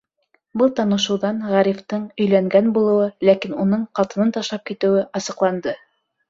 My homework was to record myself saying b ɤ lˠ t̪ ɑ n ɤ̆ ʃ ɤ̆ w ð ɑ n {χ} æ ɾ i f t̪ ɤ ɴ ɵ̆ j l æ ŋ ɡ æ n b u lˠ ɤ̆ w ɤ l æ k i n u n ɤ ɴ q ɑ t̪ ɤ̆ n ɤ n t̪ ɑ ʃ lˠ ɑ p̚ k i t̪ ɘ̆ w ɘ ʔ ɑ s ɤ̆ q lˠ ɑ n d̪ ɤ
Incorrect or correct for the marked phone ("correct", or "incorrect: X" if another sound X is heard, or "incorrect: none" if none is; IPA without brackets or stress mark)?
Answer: incorrect: ʁ